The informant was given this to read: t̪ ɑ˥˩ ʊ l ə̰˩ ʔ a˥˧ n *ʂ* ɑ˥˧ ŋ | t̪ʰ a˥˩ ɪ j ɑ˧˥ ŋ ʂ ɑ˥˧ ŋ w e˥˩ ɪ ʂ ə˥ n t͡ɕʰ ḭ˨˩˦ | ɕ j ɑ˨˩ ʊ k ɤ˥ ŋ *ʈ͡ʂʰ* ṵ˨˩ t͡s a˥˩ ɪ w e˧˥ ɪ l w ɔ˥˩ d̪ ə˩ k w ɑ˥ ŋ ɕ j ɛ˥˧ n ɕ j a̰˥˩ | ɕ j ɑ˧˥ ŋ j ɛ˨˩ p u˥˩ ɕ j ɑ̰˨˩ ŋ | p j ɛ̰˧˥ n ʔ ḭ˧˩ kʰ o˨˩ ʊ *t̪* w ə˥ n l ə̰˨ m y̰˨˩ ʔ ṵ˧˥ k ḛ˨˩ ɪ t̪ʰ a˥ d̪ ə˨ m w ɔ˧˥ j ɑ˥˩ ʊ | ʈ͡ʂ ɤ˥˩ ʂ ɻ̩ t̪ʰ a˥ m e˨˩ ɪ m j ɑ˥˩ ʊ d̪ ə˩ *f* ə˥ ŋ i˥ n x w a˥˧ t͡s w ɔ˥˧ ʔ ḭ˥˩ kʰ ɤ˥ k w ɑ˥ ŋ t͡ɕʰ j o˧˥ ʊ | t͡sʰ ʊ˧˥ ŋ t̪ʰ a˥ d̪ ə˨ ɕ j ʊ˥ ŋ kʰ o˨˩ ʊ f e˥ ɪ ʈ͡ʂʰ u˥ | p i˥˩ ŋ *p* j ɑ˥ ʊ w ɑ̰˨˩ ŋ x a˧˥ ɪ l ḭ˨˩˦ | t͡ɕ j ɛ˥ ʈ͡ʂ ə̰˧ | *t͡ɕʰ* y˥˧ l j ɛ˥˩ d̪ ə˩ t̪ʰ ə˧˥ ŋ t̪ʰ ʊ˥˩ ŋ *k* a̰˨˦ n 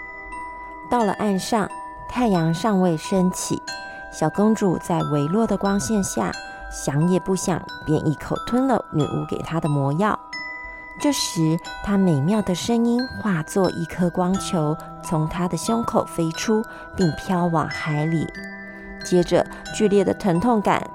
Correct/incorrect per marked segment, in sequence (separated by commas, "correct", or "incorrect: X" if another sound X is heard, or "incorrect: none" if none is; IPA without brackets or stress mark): correct, incorrect: ʈ͡ʂ, incorrect: t̪ʰ, incorrect: ʂ, incorrect: pʰ, incorrect: t͡ɕ, correct